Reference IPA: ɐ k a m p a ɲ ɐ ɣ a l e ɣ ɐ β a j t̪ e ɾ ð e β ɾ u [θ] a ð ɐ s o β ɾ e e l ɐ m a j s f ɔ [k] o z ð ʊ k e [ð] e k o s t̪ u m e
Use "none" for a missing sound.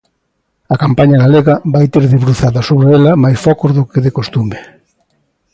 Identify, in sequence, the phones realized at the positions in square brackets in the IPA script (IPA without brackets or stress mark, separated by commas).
θ, k, ð